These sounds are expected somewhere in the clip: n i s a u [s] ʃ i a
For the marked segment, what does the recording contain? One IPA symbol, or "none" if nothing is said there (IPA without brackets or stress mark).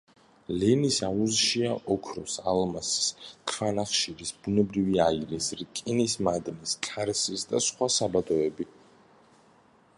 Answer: z